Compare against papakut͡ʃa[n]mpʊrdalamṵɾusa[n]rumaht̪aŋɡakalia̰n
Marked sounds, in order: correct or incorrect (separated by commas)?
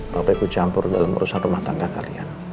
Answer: incorrect, correct